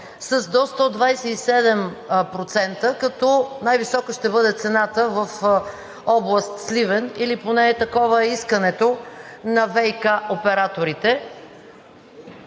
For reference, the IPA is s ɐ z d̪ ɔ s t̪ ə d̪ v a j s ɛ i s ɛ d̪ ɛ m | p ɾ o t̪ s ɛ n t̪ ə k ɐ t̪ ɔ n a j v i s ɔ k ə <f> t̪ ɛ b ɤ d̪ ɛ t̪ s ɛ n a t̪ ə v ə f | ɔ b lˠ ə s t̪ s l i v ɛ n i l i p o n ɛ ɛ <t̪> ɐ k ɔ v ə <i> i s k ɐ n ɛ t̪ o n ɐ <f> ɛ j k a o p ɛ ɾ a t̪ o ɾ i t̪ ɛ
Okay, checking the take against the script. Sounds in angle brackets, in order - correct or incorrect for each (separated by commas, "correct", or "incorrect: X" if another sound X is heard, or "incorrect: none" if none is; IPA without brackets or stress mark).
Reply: incorrect: ʃ, correct, incorrect: ɛ, incorrect: v